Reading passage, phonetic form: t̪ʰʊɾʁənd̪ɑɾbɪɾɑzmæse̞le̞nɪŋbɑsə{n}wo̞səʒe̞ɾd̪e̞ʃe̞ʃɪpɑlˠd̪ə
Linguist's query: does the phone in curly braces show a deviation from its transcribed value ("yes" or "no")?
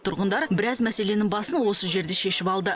no